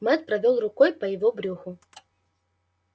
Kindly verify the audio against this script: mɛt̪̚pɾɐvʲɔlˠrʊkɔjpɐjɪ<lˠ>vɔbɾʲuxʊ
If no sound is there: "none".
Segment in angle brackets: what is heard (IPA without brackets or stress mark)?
none